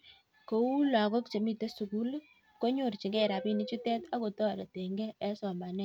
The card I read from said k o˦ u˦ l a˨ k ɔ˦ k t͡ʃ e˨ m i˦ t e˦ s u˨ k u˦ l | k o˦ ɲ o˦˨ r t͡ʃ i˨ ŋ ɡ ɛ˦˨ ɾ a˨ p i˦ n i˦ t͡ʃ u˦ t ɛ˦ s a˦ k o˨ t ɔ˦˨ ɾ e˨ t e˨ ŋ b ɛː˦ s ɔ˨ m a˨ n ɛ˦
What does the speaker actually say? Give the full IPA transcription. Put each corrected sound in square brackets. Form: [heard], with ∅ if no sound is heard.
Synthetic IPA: k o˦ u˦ l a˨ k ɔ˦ k t͡ʃ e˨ m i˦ t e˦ s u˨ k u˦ l | k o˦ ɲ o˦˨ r t͡ʃ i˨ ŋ ɡ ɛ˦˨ ɾ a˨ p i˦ n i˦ t͡ʃ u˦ t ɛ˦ [t] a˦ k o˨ t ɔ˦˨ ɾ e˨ t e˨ ŋ [ɡ] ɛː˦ s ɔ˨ m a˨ n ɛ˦

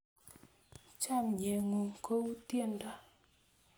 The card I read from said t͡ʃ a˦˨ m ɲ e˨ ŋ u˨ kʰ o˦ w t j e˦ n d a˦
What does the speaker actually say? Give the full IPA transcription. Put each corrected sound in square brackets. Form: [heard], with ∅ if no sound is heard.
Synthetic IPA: t͡ʃ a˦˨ m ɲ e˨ ŋ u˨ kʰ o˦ w t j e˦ n d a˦

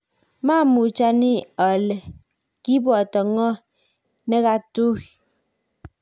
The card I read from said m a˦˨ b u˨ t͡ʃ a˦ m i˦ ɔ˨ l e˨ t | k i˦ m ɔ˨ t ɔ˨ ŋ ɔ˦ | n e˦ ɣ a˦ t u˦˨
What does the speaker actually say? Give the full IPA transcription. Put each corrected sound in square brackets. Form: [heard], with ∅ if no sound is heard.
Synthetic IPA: m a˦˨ [m] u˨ t͡ʃ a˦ [n] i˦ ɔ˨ l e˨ [∅] | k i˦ [b] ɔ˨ t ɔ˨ ŋ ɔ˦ | n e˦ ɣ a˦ t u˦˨

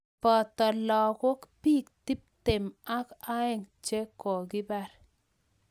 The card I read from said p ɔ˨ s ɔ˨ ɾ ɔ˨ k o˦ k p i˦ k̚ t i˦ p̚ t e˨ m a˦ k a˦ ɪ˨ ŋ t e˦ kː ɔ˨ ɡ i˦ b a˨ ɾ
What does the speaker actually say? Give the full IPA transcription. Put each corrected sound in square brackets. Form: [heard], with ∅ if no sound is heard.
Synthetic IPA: p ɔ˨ [t] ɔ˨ [l] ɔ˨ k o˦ k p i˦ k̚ t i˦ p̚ t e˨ m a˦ k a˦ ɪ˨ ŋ [t͡ʃ] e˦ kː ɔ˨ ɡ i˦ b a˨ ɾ

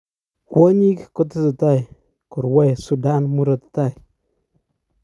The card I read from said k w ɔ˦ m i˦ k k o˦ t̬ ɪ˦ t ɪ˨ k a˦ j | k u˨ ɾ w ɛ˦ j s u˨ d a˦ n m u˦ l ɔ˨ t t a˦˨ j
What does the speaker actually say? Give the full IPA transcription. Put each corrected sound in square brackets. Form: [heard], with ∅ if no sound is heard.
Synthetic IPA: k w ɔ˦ [ɲ] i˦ k k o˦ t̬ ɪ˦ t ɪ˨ [t] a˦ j | k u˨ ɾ w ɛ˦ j s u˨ d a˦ n m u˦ [ɾ] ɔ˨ t t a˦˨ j

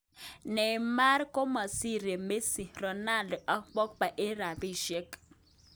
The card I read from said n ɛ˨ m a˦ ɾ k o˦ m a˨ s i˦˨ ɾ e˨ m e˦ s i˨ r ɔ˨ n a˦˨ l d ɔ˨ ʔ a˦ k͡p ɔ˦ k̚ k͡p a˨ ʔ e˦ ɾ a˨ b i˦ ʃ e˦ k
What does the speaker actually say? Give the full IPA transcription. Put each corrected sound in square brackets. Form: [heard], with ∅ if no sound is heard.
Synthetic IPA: n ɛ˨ m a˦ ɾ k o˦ m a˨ s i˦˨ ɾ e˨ m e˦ s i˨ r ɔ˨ n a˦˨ l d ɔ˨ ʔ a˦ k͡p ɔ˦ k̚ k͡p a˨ ʔ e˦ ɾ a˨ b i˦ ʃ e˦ k

